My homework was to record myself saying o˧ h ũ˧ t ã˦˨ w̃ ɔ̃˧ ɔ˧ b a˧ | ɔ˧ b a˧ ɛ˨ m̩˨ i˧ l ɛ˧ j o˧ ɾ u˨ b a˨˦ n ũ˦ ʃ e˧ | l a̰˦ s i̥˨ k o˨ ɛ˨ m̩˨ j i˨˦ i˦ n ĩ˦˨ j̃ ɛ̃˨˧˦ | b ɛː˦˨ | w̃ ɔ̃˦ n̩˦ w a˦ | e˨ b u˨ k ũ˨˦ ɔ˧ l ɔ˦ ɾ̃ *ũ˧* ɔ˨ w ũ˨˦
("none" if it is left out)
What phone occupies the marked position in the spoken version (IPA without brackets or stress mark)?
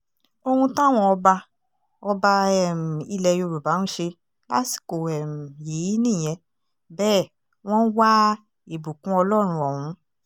ũ˧